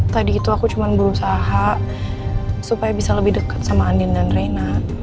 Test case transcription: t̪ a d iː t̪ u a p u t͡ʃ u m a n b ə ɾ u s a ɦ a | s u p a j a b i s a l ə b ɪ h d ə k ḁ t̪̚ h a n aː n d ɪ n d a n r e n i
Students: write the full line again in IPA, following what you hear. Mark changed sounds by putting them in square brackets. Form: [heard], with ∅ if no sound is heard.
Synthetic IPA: t̪ a d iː t̪ u a [k] u t͡ʃ u m a n b ə ɾ u s a ɦ a | s u p a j a b i s a l ə b ɪ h d ə k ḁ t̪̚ [s] a [m] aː n d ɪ n d a n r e n [a]